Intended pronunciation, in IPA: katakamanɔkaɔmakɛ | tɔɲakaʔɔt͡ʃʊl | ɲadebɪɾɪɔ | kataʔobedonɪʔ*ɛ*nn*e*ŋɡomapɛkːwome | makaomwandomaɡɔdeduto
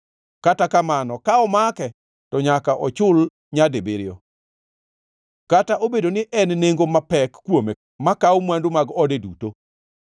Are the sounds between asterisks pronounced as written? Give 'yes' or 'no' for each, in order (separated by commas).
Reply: yes, yes